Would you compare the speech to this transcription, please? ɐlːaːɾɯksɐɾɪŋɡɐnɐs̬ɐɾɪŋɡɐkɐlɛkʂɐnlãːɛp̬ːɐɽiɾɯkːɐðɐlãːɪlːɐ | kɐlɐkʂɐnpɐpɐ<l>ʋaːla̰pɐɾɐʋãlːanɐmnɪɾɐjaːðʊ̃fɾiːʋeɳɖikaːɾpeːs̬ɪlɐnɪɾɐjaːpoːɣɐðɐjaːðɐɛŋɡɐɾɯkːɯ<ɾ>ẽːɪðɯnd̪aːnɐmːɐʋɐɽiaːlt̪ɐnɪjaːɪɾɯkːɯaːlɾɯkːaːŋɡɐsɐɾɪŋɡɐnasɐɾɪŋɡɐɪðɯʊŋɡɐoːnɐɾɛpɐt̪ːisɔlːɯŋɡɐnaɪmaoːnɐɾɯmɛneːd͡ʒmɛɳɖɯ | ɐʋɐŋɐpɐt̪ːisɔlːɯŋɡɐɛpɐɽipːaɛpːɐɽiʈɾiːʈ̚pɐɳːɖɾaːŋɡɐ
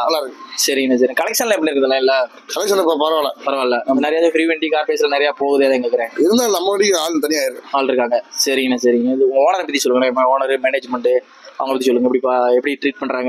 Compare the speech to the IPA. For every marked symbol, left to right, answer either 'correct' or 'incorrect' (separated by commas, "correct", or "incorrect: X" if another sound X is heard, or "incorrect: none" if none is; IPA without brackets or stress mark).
incorrect: ɾ, correct